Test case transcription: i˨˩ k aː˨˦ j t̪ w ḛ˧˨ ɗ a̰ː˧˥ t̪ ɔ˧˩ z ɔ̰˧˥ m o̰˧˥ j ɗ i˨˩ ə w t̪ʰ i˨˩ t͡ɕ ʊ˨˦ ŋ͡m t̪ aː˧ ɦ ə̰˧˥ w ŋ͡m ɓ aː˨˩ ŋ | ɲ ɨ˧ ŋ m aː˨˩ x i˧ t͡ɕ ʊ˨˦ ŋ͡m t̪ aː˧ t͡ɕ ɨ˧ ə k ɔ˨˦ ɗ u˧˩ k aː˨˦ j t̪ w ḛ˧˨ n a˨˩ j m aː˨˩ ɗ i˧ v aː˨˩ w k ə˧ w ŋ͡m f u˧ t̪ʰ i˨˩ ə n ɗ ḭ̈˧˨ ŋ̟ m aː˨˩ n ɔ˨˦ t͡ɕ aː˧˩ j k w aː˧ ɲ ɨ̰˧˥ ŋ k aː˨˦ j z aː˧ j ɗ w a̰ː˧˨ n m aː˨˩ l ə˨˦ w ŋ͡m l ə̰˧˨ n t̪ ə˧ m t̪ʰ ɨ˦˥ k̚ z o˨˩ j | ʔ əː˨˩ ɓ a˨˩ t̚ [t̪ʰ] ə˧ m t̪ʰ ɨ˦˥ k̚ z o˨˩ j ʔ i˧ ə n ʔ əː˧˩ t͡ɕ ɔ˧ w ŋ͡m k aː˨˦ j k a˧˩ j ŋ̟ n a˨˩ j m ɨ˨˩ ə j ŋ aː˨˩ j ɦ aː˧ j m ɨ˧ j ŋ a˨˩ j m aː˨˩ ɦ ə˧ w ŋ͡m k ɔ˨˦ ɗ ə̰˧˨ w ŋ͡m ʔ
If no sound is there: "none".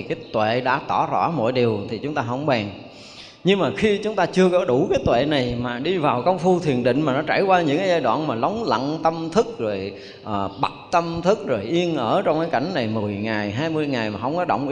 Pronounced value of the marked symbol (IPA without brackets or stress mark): t̪